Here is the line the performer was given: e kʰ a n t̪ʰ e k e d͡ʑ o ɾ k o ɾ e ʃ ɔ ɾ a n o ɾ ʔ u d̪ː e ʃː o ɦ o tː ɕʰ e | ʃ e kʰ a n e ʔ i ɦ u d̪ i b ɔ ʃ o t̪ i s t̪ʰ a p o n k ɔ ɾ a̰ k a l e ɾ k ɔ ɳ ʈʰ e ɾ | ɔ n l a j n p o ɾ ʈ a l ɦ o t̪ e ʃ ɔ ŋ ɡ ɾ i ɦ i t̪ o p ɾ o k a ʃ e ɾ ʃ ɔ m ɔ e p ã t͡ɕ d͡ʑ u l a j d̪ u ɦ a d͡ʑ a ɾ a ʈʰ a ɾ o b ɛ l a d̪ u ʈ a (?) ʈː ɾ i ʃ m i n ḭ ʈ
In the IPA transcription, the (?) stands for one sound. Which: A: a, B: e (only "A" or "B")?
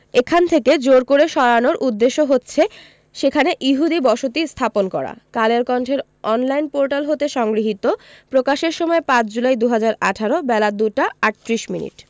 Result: A